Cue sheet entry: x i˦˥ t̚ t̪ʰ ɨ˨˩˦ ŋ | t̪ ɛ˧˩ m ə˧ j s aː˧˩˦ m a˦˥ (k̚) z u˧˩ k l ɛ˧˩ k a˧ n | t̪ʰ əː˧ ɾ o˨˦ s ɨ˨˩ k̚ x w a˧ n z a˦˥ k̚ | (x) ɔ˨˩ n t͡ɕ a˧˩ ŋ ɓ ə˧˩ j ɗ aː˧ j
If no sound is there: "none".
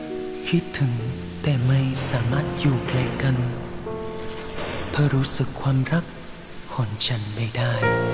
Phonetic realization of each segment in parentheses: t̚, x

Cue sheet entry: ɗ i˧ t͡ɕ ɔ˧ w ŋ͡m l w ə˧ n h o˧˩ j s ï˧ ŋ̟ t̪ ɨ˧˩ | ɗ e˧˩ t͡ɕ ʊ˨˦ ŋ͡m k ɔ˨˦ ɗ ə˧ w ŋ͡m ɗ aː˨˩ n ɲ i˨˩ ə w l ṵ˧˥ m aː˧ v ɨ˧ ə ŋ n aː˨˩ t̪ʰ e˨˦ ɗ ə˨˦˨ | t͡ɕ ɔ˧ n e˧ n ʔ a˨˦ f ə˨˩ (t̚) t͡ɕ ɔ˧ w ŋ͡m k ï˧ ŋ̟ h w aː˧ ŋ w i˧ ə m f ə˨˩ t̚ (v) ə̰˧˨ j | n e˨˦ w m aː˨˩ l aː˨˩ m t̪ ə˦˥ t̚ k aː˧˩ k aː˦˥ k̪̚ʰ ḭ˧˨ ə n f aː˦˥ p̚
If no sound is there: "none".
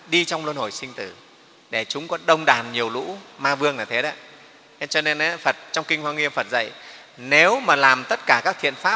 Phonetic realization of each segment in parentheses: t̚, z

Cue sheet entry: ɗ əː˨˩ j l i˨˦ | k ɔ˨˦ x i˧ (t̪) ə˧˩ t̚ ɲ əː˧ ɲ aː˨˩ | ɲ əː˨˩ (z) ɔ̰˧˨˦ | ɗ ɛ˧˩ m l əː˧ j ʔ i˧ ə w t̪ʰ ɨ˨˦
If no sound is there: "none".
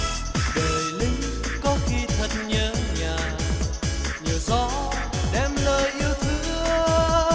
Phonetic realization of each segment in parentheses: t̪ʰ, z

